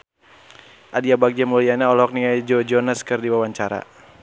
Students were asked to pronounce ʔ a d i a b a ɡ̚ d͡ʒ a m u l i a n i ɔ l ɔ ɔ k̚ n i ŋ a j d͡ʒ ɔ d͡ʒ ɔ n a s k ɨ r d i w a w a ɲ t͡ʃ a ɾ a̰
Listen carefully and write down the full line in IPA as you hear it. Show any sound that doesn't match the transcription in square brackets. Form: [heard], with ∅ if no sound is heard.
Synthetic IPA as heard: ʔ a d i a b a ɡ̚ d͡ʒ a m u l i a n [a] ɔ l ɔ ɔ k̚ n i ŋ a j d͡ʒ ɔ d͡ʒ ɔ n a s k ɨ r d i w a w a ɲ t͡ʃ a ɾ a̰